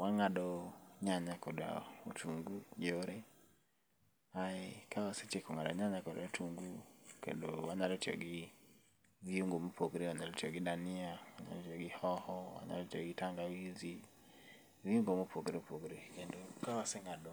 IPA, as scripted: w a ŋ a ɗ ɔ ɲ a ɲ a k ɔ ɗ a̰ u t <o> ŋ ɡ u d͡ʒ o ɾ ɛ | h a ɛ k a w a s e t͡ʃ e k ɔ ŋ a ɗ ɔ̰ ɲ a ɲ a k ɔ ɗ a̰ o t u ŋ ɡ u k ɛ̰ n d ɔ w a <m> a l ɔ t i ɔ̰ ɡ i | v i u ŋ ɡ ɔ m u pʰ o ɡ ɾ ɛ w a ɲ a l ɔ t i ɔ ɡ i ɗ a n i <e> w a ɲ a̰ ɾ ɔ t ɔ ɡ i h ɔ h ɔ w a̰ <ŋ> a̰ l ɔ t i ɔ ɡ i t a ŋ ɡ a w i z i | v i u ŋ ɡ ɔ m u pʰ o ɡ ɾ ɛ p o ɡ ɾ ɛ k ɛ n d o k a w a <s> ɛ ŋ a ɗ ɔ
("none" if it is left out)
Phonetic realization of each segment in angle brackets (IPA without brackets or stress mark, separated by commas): u, ɲ, a, ɲ, s